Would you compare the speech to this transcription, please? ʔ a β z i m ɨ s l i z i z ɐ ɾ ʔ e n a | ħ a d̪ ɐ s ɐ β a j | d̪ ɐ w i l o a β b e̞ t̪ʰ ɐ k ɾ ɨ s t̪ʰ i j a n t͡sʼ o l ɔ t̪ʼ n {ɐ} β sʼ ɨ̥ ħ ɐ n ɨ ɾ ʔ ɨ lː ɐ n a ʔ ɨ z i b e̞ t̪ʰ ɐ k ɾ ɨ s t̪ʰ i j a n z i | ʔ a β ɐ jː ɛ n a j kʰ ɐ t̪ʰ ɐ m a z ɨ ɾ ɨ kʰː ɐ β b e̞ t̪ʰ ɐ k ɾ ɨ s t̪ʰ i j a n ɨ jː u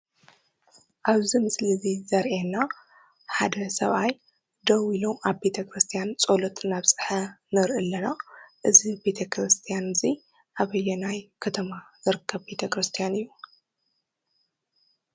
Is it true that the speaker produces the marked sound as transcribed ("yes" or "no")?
no